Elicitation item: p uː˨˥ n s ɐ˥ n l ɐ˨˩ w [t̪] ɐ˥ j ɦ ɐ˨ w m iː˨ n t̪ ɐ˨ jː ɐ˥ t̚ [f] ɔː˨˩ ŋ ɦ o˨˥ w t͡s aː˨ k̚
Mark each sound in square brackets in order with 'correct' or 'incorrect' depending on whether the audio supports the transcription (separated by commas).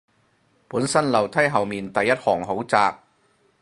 incorrect, incorrect